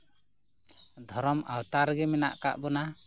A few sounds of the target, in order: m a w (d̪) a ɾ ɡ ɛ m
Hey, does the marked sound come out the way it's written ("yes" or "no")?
no